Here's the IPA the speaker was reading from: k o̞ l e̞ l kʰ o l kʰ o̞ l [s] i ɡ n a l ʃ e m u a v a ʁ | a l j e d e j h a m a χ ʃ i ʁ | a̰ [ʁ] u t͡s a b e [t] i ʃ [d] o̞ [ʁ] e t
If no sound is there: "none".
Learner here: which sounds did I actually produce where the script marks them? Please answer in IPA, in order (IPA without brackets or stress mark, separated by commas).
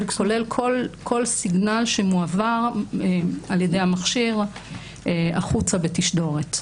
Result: s, χ, t, d, ʁ